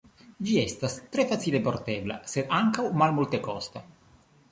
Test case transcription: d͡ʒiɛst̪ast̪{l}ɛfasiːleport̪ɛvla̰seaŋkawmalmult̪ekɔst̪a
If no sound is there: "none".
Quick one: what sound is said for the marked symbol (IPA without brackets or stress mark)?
ɾ